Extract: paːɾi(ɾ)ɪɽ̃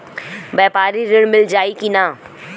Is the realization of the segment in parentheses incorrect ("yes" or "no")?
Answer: no